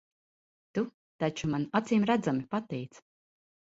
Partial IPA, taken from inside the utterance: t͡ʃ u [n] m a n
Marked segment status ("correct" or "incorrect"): incorrect